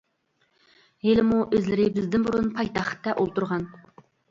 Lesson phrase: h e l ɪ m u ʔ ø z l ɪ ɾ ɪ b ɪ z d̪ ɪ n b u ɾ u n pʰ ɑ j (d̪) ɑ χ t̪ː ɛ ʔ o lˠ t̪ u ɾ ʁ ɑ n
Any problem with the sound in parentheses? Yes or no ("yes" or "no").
yes